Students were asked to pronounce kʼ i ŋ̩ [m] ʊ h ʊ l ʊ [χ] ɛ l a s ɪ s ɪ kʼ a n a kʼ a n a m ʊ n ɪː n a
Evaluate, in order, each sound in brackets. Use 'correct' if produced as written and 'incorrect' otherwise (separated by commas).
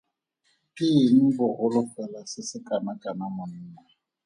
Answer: incorrect, incorrect